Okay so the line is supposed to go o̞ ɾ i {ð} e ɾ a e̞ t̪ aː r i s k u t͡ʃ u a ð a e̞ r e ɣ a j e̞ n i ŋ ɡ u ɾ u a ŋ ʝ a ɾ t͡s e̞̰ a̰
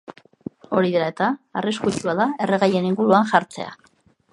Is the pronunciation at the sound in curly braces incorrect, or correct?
correct